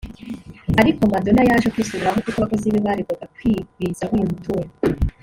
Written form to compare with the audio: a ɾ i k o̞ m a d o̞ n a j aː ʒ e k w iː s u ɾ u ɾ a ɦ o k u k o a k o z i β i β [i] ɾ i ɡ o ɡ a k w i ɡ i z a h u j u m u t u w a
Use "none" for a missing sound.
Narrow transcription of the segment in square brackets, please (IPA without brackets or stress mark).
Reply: a